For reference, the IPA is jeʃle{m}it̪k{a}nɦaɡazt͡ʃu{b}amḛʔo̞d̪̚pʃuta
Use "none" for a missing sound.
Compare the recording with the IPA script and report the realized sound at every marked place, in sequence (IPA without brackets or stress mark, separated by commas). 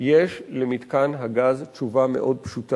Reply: m, a, v